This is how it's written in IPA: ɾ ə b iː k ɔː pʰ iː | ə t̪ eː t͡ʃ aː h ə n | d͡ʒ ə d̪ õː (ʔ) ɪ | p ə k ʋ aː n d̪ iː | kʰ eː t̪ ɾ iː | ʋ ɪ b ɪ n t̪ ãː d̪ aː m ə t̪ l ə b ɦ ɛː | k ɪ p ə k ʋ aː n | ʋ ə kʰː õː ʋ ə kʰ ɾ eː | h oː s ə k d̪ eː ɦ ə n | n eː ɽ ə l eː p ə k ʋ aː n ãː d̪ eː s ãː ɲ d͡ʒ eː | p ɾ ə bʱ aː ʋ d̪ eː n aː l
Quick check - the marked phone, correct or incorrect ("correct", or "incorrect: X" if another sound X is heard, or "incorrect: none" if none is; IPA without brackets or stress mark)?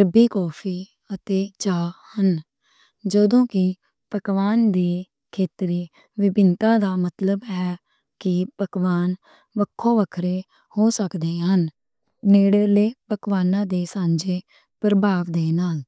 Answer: incorrect: k